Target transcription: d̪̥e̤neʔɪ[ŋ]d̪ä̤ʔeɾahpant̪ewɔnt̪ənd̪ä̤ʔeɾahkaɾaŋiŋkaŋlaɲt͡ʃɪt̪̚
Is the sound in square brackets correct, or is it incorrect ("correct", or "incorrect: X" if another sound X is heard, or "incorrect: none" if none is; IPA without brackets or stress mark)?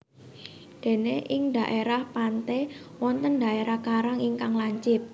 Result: correct